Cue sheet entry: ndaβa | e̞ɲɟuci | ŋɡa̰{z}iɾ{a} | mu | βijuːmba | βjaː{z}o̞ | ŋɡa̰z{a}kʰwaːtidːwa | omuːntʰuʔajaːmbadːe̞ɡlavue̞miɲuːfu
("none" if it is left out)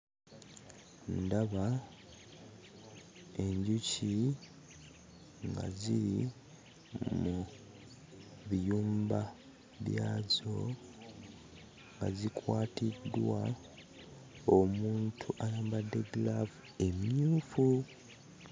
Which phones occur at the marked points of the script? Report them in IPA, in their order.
z, i, z, i

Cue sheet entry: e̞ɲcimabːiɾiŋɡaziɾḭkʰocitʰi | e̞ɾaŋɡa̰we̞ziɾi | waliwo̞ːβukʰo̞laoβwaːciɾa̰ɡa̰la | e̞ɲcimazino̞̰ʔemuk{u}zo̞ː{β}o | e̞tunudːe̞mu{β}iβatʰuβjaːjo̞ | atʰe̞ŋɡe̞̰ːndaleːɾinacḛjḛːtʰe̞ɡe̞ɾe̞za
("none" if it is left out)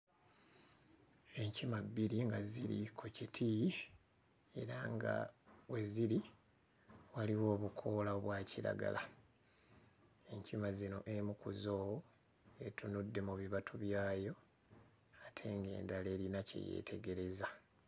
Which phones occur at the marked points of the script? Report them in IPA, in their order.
u, w, β

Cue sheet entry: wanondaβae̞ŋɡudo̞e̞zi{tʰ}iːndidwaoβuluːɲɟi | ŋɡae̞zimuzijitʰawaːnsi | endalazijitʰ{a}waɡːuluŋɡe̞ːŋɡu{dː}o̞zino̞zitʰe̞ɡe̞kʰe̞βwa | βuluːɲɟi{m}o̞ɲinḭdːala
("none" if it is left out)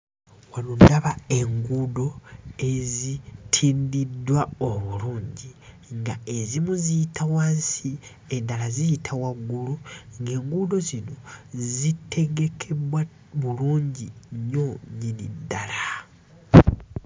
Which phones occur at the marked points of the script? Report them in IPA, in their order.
tʰ, a, d, ɲ

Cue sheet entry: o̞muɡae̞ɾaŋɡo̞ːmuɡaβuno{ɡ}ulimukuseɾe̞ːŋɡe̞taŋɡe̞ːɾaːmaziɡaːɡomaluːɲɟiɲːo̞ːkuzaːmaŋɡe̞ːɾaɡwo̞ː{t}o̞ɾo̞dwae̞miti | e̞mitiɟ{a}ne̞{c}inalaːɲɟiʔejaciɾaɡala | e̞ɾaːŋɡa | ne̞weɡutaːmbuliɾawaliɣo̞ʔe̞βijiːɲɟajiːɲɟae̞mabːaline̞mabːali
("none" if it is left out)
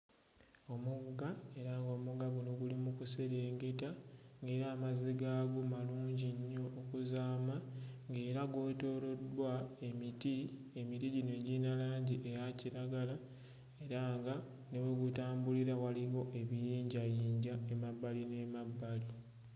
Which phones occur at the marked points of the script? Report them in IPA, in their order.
ɡ, t, i, ɟ

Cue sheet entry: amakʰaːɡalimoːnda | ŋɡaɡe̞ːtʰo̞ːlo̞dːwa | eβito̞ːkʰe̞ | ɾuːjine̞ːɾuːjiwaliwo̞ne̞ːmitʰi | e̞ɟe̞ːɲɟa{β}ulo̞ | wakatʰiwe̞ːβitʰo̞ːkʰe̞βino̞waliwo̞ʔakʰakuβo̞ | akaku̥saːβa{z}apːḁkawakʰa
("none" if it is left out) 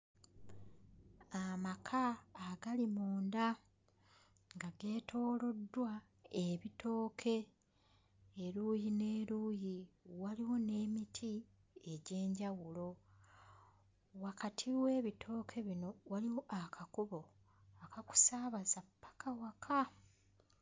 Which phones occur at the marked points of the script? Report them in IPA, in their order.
w, z

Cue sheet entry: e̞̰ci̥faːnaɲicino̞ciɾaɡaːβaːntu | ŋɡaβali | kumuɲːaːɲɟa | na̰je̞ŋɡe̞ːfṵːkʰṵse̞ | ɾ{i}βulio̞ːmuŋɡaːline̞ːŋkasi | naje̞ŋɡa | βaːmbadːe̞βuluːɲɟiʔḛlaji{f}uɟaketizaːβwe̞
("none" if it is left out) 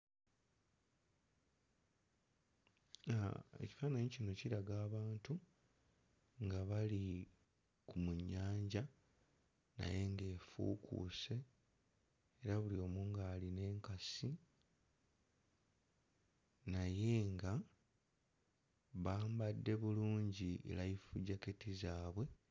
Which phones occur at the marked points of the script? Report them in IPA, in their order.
a, f

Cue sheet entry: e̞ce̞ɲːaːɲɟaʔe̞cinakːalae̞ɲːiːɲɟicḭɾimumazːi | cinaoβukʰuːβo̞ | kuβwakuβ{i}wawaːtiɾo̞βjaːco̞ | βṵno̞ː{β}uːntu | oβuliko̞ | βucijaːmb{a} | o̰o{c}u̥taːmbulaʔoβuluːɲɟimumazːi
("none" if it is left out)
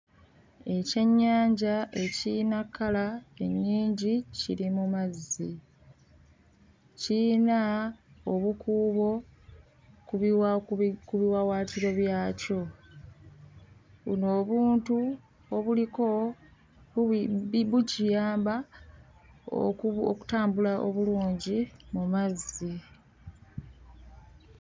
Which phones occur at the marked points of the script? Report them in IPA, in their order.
i, β, a, k

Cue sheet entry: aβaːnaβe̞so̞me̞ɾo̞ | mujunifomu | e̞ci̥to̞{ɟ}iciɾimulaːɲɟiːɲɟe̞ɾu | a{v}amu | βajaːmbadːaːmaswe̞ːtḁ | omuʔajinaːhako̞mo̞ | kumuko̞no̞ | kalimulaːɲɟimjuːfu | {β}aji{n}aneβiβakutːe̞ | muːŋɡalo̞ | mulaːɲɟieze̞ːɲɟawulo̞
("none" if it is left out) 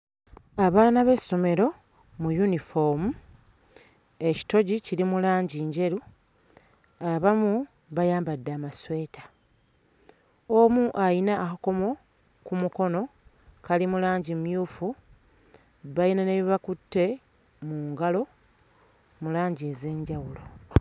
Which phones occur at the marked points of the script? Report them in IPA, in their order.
ɟ, β, β, n

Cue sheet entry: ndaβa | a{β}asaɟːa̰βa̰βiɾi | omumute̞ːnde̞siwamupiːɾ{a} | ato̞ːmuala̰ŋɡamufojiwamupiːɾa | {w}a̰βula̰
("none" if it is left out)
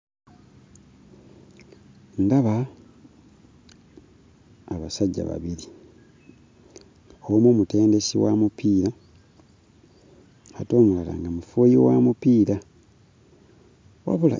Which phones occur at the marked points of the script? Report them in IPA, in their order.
β, a, w

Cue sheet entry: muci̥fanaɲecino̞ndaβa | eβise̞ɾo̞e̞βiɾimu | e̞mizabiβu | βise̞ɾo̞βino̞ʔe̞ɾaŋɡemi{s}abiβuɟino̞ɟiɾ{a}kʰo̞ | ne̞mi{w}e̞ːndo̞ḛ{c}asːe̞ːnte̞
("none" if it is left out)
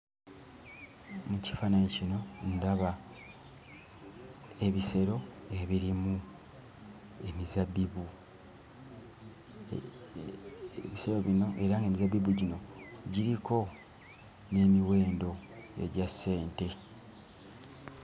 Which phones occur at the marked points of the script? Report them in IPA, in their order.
z, i, w, ɟ

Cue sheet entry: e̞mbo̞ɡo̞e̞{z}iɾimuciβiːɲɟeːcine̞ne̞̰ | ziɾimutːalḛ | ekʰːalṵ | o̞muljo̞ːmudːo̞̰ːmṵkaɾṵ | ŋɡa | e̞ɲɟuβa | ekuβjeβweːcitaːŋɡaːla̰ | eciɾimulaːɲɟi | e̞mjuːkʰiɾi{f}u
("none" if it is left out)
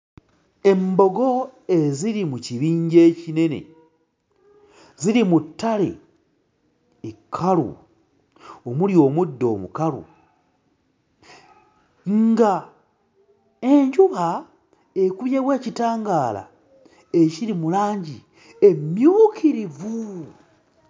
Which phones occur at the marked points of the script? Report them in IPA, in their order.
z, v

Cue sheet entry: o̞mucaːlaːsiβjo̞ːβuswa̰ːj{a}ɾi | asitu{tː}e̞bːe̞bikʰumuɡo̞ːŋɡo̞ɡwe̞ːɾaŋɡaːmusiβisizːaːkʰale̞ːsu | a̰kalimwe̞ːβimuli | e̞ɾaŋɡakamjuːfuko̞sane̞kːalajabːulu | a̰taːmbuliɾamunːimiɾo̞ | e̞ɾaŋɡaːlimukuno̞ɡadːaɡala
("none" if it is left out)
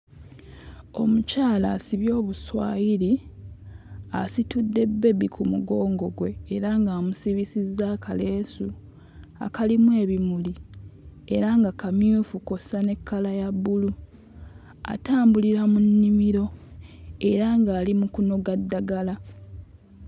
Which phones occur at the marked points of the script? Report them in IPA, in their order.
i, dː

